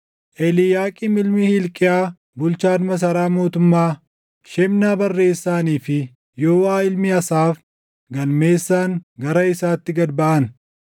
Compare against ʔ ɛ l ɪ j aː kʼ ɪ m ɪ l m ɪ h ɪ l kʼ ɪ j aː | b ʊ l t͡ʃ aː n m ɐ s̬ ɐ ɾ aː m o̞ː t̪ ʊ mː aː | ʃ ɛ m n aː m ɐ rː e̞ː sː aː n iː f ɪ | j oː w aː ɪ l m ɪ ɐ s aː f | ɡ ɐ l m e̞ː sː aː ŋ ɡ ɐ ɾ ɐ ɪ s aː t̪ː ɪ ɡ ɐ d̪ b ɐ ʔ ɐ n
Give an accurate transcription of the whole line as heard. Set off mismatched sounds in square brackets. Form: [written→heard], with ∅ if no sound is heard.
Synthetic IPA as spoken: ʔ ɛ l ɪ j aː kʼ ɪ m ɪ l m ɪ h ɪ l kʼ ɪ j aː | b ʊ l t͡ʃ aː n m ɐ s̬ ɐ ɾ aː m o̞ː t̪ ʊ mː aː | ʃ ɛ m n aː [m→b] ɐ rː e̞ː sː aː n iː f ɪ | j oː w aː ɪ l m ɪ ɐ s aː f | ɡ ɐ l m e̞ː sː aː ŋ ɡ ɐ ɾ ɐ ɪ s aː t̪ː ɪ ɡ ɐ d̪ b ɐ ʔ ɐ n

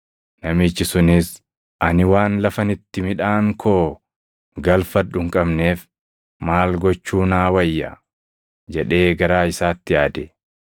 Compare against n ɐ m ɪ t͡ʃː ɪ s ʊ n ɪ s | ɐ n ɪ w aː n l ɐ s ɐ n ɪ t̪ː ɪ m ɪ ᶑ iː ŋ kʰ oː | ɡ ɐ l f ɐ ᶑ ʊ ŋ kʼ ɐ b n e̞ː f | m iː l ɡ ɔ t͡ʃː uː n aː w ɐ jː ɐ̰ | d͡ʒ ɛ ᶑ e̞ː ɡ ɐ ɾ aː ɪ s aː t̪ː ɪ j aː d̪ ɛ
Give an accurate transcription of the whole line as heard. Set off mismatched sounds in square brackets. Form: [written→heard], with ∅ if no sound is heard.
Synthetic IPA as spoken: n ɐ m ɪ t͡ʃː ɪ s ʊ n ɪ s | ɐ n ɪ w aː n l ɐ [s→f] ɐ n ɪ t̪ː ɪ m ɪ ᶑ [iː→aː] ŋ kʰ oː | ɡ ɐ l f ɐ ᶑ ʊ ŋ kʼ ɐ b n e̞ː f | m [iː→aː] l ɡ ɔ t͡ʃː uː n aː w ɐ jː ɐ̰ | d͡ʒ ɛ ᶑ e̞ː ɡ ɐ ɾ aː ɪ s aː t̪ː ɪ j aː d̪ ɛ

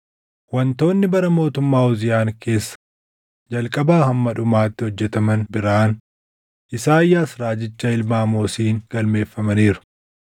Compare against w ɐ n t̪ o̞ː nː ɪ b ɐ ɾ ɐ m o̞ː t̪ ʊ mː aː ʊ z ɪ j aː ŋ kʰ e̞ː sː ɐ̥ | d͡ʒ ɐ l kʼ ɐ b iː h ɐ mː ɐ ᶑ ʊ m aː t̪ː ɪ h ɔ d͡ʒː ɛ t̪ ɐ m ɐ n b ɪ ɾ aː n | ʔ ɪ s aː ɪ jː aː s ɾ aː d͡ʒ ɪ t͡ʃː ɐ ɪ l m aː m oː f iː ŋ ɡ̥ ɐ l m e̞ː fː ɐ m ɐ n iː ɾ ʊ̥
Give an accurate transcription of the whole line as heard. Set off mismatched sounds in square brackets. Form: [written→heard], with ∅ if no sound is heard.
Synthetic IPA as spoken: w ɐ n t̪ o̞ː nː ɪ b ɐ ɾ ɐ m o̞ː t̪ ʊ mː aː ʊ z ɪ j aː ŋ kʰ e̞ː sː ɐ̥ | d͡ʒ ɐ l kʼ ɐ b [iː→aː] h ɐ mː ɐ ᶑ ʊ m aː t̪ː ɪ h ɔ d͡ʒː ɛ t̪ ɐ m ɐ n b ɪ ɾ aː n | ʔ ɪ s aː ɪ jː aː s ɾ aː d͡ʒ ɪ t͡ʃː ɐ ɪ l m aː m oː [f→s] iː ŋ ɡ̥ ɐ l m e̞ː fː ɐ m ɐ n iː ɾ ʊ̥

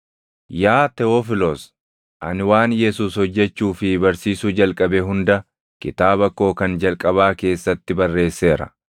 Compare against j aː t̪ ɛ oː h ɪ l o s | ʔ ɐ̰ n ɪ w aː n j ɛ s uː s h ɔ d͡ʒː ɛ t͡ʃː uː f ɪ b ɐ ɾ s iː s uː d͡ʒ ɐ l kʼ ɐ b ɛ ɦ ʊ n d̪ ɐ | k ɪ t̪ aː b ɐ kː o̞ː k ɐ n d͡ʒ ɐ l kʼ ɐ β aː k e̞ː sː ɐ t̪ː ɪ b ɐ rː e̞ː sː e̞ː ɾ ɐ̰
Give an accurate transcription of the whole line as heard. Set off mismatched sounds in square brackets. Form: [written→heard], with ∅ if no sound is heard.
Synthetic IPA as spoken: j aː t̪ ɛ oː [h→f] ɪ l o s | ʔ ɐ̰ n ɪ w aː n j ɛ s uː s h ɔ d͡ʒː ɛ t͡ʃː uː f ɪ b ɐ ɾ s iː s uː d͡ʒ ɐ l kʼ ɐ b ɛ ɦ ʊ n d̪ ɐ | k ɪ t̪ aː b ɐ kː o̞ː k ɐ n d͡ʒ ɐ l kʼ ɐ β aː k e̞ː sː ɐ t̪ː ɪ b ɐ rː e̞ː sː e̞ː ɾ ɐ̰

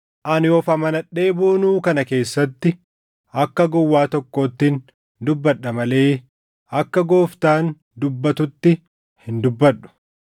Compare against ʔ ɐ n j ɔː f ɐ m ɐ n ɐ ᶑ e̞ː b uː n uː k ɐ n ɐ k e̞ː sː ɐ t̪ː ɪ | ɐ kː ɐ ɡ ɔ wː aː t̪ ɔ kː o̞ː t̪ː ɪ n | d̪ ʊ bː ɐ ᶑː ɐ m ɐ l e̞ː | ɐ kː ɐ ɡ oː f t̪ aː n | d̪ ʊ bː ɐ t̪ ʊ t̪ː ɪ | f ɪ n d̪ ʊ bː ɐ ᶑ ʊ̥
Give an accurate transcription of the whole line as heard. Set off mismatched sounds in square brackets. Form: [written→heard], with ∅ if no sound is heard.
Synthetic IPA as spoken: ʔ ɐ n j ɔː f ɐ m ɐ n ɐ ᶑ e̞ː b uː n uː k ɐ n ɐ k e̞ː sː ɐ t̪ː ɪ | ɐ kː ɐ ɡ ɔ wː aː t̪ ɔ kː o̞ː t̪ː ɪ n | d̪ ʊ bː ɐ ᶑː ɐ m ɐ l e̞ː | ɐ kː ɐ ɡ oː f t̪ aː n | d̪ ʊ bː ɐ t̪ ʊ t̪ː ɪ | [f→h] ɪ n d̪ ʊ bː ɐ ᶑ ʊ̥

